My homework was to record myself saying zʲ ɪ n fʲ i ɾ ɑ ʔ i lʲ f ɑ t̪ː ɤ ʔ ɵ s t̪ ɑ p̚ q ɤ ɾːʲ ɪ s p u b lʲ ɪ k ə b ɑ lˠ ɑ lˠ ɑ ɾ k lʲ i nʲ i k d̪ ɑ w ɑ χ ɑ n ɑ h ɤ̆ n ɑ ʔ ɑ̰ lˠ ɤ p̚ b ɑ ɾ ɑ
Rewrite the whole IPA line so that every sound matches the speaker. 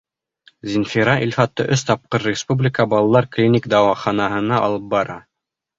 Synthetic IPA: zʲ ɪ n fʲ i ɾ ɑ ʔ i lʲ f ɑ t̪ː ɤ ʔ ɵ s t̪ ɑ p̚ q ɤ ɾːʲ ɪ s p u b lʲ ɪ k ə b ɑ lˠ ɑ lˠ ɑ ɾ k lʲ i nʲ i k d̪ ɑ w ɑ χ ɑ n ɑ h ɤ̆ n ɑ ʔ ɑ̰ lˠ ɤ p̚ b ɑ ɾ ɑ